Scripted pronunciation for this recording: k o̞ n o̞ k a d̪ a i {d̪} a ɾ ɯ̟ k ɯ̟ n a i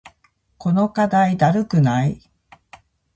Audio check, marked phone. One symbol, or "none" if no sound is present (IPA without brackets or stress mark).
d̪